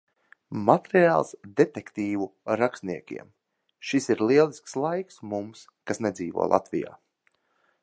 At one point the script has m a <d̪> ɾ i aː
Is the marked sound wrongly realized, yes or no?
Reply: yes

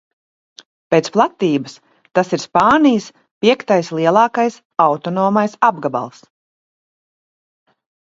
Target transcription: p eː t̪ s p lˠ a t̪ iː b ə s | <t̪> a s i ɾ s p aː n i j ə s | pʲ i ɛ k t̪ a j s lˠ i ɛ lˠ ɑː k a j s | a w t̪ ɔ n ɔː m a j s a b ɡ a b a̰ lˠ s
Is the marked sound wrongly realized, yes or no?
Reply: no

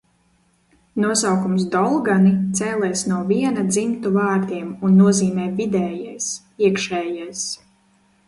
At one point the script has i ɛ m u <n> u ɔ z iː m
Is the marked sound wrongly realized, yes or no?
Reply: yes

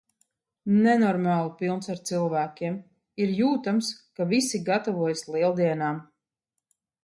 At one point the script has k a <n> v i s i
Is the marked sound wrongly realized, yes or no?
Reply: yes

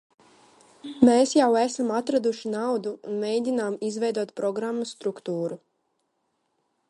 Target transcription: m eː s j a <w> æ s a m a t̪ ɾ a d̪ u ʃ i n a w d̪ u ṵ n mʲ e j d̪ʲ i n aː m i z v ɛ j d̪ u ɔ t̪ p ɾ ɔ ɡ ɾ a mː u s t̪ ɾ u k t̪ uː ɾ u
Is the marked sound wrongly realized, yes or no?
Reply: no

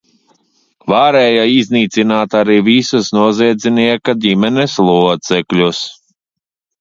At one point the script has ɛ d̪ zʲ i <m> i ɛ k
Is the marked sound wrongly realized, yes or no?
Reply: yes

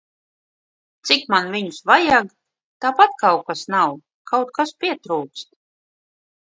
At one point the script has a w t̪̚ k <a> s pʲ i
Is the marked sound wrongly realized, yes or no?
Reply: no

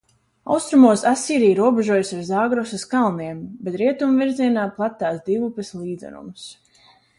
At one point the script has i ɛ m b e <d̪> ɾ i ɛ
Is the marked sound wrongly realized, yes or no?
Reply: yes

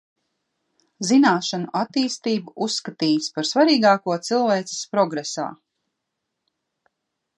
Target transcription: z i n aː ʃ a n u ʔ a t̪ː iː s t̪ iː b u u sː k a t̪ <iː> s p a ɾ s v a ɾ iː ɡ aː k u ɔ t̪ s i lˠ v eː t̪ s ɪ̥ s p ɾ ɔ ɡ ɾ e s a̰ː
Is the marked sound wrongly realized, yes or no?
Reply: no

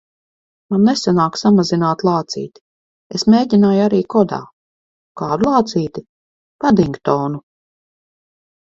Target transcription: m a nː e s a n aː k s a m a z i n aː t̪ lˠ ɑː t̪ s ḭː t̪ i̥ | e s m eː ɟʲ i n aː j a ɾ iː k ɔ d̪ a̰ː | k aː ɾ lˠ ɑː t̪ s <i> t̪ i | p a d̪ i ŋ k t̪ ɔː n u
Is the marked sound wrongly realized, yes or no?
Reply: yes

